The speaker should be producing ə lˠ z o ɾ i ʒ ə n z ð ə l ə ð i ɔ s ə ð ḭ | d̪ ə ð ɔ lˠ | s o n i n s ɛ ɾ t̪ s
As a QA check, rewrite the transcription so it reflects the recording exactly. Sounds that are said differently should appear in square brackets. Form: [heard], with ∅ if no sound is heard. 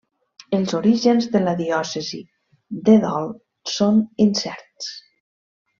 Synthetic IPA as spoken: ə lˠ z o ɾ i ʒ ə n z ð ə l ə ð i ɔ s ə [z] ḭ | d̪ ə ð ɔ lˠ | s o n i n s ɛ ɾ t̪ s